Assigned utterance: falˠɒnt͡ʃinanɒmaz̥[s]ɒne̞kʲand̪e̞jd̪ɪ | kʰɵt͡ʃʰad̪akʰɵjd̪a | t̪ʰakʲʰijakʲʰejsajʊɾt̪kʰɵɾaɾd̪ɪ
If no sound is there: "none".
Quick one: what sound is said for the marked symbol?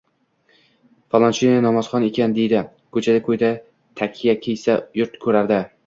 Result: χ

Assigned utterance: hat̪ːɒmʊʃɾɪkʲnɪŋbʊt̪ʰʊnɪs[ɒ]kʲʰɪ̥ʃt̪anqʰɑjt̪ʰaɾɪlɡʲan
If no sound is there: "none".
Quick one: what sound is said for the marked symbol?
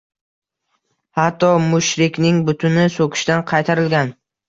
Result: o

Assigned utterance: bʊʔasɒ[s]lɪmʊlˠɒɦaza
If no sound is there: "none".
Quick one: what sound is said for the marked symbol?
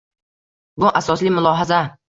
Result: s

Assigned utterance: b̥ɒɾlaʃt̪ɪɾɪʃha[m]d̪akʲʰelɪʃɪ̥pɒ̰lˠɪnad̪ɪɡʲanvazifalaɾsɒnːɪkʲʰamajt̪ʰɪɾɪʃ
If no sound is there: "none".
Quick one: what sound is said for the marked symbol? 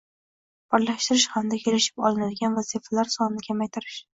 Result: m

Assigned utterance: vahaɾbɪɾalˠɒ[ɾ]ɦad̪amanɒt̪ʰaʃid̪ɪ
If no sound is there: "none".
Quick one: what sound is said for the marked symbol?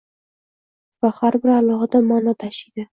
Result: none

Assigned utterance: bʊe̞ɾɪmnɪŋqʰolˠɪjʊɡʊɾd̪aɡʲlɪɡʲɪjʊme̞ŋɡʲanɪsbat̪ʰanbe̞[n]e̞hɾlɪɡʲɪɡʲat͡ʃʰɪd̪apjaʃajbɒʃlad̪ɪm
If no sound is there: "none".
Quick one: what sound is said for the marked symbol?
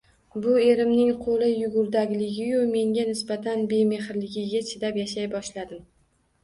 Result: m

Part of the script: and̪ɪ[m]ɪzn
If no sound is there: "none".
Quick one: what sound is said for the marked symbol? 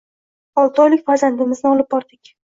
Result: m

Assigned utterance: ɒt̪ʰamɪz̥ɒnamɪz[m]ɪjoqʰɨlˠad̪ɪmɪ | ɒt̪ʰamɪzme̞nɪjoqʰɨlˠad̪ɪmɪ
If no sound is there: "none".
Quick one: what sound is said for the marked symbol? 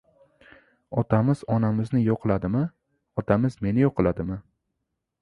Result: n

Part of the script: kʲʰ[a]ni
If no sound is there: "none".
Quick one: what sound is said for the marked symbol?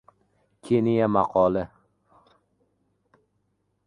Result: e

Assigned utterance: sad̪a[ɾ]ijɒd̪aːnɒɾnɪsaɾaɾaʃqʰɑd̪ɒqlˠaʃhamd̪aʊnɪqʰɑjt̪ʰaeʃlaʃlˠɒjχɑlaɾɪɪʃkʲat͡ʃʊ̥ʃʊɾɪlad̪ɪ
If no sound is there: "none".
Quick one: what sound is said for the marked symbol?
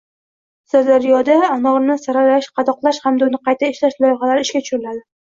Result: ɾ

